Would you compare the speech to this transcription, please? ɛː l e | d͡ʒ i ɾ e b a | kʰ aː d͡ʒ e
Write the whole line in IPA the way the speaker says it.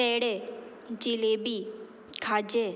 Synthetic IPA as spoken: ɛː ɽ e | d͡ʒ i l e b i | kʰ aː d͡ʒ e